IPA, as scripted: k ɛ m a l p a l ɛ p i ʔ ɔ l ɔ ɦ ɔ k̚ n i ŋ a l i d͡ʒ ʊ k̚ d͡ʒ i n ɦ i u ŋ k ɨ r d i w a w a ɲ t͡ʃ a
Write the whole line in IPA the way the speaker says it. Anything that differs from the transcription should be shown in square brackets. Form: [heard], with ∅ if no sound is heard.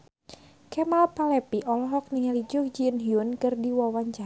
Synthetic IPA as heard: k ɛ m a l p a l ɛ p i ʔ ɔ l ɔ ɦ ɔ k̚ n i ŋ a l i d͡ʒ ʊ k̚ d͡ʒ i n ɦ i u [n] k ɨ r d i w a w a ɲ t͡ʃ a